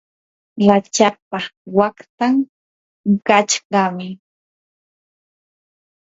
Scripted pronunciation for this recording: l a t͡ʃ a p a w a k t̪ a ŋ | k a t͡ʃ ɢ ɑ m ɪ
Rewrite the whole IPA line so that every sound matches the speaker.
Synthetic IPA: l a t͡ʃ a p a w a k t̪ a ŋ | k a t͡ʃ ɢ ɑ m ɪ